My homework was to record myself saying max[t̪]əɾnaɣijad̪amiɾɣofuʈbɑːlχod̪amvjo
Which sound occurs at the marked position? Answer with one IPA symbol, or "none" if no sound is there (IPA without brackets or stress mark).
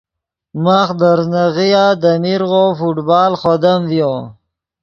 d̪